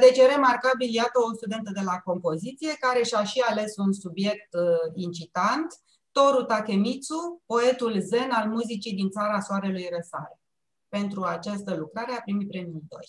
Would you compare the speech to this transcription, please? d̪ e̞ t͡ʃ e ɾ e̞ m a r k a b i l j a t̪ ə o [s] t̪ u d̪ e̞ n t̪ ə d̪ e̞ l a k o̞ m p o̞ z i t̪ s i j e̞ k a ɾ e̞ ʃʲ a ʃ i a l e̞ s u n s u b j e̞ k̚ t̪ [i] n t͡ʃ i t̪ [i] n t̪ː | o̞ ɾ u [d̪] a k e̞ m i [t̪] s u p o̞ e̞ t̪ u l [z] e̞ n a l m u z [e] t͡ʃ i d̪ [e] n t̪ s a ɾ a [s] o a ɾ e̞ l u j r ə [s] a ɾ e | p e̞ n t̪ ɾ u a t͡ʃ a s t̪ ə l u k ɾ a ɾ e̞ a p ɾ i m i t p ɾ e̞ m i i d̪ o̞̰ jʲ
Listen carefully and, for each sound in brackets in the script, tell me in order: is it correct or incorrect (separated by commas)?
correct, correct, incorrect, incorrect, correct, correct, incorrect, incorrect, correct, correct